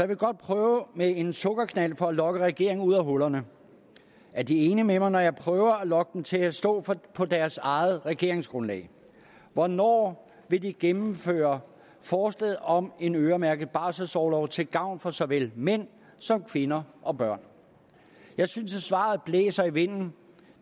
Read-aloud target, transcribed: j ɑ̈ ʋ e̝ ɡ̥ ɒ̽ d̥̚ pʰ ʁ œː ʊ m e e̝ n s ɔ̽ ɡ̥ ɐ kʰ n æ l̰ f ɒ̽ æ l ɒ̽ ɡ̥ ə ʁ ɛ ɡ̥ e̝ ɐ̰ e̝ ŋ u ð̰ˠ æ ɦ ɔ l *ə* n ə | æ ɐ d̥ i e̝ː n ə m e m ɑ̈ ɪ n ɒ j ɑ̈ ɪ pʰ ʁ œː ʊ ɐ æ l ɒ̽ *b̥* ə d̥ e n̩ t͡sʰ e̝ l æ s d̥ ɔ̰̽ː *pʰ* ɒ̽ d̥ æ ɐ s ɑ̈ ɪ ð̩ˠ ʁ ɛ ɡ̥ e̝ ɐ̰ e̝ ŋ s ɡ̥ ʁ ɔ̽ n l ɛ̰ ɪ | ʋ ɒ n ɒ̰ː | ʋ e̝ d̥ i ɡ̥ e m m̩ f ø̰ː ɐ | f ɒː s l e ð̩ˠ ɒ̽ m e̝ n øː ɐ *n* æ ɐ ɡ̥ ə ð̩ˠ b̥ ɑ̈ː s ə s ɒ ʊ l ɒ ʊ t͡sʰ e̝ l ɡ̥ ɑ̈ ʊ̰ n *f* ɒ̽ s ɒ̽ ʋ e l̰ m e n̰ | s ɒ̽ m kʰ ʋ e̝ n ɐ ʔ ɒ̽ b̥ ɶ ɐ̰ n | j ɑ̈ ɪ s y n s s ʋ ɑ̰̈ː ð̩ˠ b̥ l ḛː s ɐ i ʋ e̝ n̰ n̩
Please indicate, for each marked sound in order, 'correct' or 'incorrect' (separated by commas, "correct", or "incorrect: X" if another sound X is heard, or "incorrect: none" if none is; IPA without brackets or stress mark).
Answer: incorrect: ɐ, incorrect: ɡ̥, correct, incorrect: m, correct